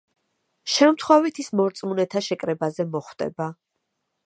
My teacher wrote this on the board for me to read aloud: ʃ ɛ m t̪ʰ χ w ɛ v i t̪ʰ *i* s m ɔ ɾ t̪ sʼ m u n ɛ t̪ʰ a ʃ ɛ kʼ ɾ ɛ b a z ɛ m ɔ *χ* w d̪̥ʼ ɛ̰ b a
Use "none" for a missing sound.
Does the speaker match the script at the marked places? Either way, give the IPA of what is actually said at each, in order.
i, χ

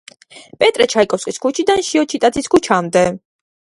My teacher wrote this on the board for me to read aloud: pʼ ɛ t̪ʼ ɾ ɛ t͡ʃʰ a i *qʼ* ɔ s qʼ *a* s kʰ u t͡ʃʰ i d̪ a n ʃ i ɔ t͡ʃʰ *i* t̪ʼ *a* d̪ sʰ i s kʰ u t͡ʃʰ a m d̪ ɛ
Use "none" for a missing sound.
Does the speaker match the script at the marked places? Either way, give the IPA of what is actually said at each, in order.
kʼ, i, i, a

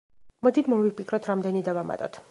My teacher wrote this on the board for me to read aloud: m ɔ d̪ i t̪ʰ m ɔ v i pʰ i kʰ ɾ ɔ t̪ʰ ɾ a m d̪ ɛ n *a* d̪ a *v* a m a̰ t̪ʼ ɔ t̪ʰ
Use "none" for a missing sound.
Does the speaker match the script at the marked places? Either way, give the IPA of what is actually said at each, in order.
i, v

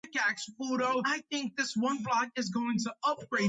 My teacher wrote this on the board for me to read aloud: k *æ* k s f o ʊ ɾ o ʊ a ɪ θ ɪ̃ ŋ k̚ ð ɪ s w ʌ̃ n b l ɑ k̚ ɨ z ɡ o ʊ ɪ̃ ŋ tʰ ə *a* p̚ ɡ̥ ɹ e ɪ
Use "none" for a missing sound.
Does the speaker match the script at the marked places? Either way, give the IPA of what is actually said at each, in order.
æ, ʌ

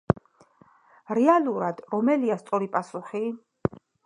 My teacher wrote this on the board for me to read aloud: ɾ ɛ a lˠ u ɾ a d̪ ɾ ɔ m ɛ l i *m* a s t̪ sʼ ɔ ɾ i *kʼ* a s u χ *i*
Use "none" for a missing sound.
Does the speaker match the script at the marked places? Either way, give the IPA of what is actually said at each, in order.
none, pʼ, i

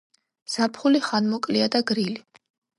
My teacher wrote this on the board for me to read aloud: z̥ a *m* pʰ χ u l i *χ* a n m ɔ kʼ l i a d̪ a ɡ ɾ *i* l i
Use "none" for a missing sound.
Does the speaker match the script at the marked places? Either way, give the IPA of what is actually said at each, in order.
none, χ, i

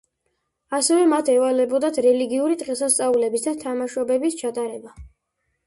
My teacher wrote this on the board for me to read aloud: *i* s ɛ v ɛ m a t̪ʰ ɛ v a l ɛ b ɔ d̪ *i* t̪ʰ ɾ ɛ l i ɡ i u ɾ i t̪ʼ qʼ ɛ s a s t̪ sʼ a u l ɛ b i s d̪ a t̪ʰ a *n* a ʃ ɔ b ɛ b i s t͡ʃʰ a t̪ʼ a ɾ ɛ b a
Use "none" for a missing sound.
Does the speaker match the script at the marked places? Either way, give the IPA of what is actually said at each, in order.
a, a, m

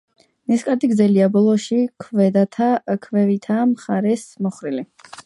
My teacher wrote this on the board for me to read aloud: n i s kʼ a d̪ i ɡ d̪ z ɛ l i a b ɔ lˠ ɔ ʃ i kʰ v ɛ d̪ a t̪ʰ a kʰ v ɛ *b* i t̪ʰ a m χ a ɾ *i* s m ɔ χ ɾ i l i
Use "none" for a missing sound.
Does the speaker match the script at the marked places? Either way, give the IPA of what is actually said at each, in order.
v, ɛ

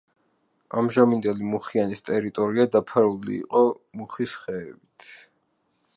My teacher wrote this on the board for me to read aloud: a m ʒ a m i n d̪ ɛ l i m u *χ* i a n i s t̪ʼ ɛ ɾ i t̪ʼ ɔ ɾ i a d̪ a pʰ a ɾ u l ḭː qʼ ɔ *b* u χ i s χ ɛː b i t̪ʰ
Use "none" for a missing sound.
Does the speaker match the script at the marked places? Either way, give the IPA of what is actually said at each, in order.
χ, m

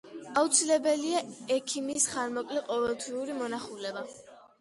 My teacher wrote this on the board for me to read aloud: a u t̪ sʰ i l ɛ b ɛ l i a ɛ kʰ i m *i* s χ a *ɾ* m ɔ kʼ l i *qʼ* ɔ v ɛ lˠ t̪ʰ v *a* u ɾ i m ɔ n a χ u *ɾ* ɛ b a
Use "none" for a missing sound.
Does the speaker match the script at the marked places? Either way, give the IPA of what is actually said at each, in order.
i, ɾ, qʼ, i, l

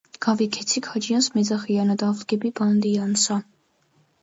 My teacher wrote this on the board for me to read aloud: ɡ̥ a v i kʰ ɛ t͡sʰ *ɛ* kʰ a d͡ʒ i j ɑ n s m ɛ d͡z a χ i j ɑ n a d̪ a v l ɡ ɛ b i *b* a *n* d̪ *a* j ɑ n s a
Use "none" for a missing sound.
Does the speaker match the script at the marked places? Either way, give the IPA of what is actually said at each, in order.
i, b, n, i

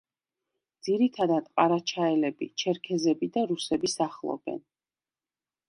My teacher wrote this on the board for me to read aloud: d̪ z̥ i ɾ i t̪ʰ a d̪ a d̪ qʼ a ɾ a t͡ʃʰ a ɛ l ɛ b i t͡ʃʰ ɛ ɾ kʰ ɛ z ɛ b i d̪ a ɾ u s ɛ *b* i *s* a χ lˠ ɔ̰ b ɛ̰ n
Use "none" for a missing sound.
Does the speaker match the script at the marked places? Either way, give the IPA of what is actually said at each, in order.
b, s

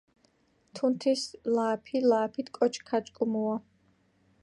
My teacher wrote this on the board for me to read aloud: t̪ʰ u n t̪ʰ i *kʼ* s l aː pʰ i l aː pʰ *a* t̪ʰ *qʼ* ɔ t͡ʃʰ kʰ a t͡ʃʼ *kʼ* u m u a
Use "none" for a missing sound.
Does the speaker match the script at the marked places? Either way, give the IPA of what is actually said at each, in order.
none, i, kʼ, kʼ

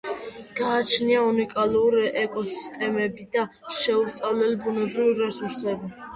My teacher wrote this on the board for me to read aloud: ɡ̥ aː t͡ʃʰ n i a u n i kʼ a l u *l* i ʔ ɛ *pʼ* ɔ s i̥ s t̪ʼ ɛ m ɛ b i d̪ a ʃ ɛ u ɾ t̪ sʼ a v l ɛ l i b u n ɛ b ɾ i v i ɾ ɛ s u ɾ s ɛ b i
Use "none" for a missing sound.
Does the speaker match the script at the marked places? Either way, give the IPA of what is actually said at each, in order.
ɾ, kʼ

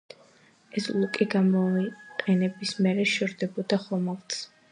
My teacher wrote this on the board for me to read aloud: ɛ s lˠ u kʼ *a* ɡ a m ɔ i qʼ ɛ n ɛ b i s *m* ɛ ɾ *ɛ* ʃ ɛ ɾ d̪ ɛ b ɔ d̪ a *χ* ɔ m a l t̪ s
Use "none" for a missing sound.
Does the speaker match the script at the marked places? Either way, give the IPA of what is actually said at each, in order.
i, m, ɛ, χ

